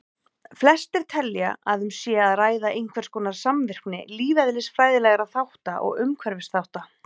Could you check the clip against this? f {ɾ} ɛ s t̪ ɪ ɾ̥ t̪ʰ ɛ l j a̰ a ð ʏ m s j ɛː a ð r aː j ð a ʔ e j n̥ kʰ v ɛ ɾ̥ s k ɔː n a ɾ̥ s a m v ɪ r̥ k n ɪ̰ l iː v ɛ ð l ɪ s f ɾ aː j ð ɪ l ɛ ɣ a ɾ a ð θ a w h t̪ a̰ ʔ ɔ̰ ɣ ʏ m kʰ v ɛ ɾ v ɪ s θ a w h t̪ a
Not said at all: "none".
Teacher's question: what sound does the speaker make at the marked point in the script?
l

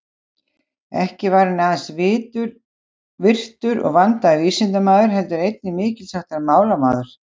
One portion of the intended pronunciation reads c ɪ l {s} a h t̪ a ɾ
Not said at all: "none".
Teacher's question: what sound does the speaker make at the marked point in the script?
s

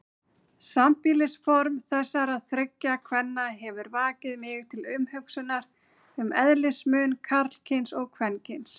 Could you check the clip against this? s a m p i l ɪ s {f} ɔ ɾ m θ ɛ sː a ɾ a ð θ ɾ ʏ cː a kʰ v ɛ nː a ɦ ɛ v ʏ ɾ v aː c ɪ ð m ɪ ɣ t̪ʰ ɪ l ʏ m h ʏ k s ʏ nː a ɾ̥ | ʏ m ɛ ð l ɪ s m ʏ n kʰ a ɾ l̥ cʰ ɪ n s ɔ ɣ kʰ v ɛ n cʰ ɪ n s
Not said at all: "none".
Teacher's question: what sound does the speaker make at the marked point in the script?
f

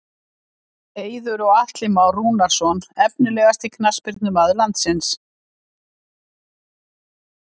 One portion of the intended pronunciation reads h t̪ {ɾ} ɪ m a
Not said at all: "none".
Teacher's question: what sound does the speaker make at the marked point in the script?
l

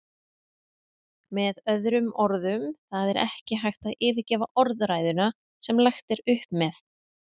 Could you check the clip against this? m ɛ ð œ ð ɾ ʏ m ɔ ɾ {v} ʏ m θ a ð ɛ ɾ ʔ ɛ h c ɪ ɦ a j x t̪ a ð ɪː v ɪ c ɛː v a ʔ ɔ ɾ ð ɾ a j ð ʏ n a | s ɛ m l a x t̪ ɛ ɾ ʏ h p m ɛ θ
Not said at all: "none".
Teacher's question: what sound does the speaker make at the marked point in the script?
ð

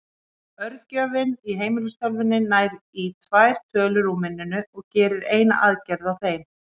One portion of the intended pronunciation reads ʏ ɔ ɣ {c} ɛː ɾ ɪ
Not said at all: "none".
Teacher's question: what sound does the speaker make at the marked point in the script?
c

